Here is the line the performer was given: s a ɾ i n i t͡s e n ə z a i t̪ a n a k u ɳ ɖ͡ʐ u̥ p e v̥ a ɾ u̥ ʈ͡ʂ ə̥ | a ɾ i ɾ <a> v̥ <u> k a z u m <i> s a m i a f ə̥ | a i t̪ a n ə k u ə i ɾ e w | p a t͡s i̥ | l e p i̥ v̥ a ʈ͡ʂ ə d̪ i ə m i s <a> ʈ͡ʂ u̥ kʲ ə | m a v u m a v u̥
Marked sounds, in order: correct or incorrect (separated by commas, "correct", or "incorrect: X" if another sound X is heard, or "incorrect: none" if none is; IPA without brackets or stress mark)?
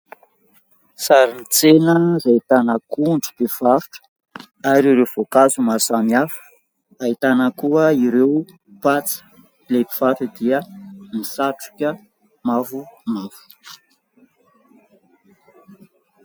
incorrect: e, incorrect: o, incorrect: a, correct